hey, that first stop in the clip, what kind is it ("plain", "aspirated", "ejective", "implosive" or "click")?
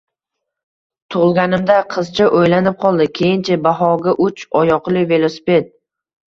aspirated